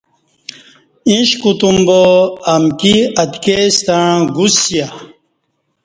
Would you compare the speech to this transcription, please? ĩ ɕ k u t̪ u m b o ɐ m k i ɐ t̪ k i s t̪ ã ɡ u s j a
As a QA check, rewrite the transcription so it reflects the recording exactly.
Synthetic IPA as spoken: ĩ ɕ k u t̪ u m b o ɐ m k i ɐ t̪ k e s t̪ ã ɡ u s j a